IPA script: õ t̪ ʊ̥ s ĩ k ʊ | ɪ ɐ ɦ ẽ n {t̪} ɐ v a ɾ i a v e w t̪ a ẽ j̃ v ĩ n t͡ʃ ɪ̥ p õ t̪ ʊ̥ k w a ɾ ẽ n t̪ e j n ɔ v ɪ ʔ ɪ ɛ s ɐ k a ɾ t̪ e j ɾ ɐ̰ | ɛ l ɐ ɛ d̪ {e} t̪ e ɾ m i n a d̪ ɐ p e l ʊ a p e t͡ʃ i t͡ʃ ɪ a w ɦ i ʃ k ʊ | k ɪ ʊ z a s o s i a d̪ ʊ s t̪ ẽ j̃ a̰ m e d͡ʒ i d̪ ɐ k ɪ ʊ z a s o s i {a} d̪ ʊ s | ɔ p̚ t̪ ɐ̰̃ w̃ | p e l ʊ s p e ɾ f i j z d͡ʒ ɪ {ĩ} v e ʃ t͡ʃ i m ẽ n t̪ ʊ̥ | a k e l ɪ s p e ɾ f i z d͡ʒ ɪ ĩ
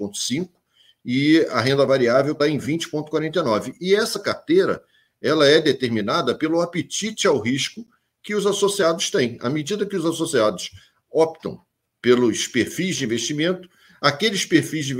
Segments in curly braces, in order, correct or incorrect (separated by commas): incorrect, correct, correct, correct